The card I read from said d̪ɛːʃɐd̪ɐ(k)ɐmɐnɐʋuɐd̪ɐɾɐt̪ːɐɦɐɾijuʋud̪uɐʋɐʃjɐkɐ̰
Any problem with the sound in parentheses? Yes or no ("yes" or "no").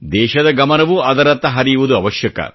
yes